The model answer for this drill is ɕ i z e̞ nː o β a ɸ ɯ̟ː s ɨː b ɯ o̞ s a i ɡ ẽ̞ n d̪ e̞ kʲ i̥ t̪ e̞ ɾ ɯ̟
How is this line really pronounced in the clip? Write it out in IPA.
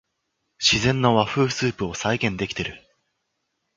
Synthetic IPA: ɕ i z ẽ̞ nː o β a ɸ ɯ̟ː s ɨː p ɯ o̞ s a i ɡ ẽ̞ n d̪ e̞ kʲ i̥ t̪ e̞ ɾ ɯ̟

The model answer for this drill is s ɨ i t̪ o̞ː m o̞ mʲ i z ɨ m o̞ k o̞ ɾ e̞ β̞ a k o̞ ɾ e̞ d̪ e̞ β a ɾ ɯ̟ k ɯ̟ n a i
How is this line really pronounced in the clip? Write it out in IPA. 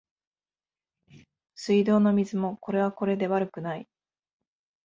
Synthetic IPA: s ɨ i d̪ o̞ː n o̞ mʲ i z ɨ m o̞ k o̞ ɾ e̞ β̞ a k o̞ ɾ e̞ d̪ e̞ β a ɾ ɯ̟ k ɯ̟ n a i

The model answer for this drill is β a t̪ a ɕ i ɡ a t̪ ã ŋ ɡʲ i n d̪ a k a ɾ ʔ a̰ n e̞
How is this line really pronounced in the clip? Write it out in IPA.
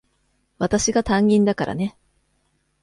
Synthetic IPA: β a t̪ a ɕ i ɡ a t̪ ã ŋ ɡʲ ĩ n d̪ a k a ɾ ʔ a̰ n e̞

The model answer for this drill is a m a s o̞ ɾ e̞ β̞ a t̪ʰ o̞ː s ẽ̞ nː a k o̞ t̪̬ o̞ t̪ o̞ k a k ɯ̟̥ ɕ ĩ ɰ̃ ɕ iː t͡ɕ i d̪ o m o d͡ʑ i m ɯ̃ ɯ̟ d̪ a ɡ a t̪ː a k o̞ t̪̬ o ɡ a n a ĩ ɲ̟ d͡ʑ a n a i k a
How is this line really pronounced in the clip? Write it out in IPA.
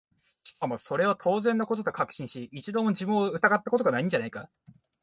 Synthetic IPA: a m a s o̞ ɾ e̞ β̞ a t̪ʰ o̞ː z ẽ̞ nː a k o̞ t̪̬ o̞ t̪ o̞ k a k ɯ̟̥ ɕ ĩ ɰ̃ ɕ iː t͡ɕ i d̪ o m o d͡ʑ i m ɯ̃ ɯ̟ t̪ a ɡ a t̪ː a k o̞ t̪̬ o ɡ a n a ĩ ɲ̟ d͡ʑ a n a i k a

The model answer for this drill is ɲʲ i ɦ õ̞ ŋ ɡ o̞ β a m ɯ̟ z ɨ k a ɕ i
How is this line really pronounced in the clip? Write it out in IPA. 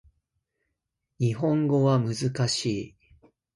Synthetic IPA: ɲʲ i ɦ õ̞ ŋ ɡ o̞ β a m ɯ̟ z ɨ k a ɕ iː

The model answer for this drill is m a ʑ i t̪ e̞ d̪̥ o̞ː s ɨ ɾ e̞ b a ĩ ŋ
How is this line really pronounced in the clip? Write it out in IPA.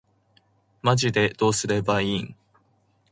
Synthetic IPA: m a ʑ i d̪ e̞ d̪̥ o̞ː s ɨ ɾ e̞ b a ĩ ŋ

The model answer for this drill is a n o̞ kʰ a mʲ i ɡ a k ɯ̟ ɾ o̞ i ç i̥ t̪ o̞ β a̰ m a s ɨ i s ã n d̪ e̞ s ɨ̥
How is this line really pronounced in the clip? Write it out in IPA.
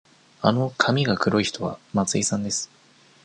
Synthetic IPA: a n o̞ kʰ a mʲ i ɡ a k ɯ̟ ɾ o̞ i ç i̥ t̪ o̞ β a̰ m a t͡s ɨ i s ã n d̪ e̞ s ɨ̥

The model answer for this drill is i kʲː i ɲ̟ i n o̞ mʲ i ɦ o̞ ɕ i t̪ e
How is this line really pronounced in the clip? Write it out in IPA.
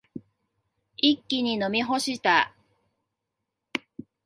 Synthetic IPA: i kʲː i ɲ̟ i n o̞ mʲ i ɦ o̞ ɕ i t̪ a

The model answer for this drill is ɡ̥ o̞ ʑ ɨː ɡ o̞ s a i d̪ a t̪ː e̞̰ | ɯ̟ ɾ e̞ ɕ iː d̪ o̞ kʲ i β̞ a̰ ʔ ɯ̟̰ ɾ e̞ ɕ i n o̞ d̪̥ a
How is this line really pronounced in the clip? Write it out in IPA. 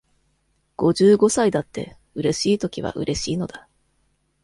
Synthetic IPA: ɡ̥ o̞ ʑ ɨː ɡ o̞ s a i d̪ a t̪ː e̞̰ | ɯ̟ ɾ e̞ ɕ iː t̪ o̞ kʲ i β̞ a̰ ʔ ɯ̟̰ ɾ e̞ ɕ iː n o̞ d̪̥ a

